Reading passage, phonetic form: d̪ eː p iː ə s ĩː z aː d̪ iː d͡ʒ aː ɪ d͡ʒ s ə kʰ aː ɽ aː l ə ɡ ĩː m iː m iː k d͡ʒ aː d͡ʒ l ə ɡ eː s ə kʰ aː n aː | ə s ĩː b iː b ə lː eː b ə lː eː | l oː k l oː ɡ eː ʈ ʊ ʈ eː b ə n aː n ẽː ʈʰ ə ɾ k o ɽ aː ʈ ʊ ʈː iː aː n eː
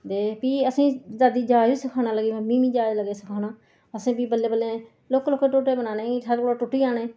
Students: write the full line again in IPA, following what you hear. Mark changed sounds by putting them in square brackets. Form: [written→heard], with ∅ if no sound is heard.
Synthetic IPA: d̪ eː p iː ə s ĩː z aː d̪ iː d͡ʒ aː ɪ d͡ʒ s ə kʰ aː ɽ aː l ə ɡ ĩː m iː m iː [k→∅] d͡ʒ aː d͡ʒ l ə ɡ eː s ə kʰ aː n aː | ə s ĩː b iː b ə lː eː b ə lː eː | l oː k l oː [ɡ→k] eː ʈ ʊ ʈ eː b ə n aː n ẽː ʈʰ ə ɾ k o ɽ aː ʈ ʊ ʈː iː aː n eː